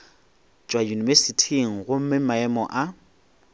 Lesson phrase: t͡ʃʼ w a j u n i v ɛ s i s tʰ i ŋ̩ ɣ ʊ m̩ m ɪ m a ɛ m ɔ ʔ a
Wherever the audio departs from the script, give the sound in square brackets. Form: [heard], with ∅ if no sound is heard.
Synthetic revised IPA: t͡ʃʼ w a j u n i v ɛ s i [∅] tʰ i ŋ̩ ɣ ʊ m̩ m ɪ m a ɛ m ɔ ʔ a